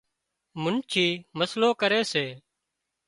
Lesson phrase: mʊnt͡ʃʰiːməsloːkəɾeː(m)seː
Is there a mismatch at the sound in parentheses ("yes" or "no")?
yes